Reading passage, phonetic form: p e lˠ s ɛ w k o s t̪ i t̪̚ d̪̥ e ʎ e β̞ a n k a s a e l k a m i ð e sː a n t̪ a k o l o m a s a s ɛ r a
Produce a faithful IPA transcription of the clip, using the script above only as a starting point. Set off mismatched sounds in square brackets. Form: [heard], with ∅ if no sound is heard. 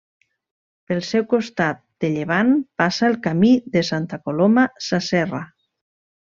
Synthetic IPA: p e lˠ s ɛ w k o s t̪ [a] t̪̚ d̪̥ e ʎ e β̞ a n [p] a s a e l k a m i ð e [s] a n t̪ a k o l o m a s a s ɛ r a

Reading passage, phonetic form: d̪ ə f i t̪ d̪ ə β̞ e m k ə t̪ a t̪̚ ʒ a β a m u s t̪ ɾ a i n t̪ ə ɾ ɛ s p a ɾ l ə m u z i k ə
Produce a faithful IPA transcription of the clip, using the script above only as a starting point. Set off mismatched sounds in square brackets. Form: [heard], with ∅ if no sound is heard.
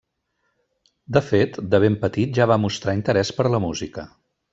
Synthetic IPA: d̪ ə f [e] t̪ d̪ ə β̞ e m [p] ə t̪ [i] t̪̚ ʒ a β a m u s t̪ ɾ a i n t̪ ə ɾ ɛ s p [ə] ɾ l ə m u z i k ə

